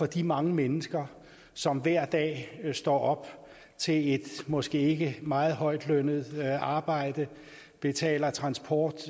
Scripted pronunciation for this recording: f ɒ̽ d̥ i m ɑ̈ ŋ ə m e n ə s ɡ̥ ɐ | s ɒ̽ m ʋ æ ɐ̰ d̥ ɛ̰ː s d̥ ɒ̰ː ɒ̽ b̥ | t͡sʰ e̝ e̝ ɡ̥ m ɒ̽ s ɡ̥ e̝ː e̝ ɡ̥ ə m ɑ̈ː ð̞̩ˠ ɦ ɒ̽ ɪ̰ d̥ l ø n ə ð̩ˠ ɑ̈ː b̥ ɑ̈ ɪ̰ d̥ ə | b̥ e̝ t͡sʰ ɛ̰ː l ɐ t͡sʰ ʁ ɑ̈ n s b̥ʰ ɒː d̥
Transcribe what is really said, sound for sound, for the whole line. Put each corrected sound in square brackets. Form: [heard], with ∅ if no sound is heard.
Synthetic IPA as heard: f ɒ̽ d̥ i m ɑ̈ ŋ ə m e n ə s ɡ̥ ɐ | s ɒ̽ m ʋ æ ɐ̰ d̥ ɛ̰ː s d̥ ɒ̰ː ɒ̽ b̥ | t͡sʰ e̝ e̝ [d̥] m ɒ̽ s ɡ̥ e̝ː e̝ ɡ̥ ə m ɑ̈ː ð̞̩ˠ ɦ ɒ̽ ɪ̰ d̥ l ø n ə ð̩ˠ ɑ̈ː b̥ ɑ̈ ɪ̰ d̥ ə | b̥ e̝ t͡sʰ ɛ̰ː l ɐ t͡sʰ ʁ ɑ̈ n s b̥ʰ ɒː d̥